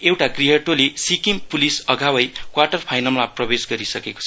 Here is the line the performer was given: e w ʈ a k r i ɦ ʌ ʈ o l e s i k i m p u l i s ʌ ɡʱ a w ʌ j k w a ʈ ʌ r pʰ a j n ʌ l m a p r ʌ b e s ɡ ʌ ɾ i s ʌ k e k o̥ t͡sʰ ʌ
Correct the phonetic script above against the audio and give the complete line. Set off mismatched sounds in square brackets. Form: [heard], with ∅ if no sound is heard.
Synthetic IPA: e w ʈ a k r i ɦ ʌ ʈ o l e s i k i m p u l i s ʌ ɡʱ a w ʌ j k w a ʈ ʌ r pʰ a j n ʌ l m a p r ʌ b e s ɡ ʌ ɾ i s ʌ k e k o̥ t͡sʰ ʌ